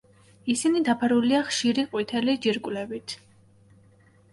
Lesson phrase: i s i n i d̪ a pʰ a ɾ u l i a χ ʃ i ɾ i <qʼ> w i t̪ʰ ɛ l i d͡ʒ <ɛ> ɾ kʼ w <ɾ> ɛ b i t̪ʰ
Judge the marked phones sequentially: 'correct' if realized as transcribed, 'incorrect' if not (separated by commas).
correct, incorrect, incorrect